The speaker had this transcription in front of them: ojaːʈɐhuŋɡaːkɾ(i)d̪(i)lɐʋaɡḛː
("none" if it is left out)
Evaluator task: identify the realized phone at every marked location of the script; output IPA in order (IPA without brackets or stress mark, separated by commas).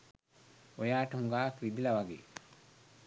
i, i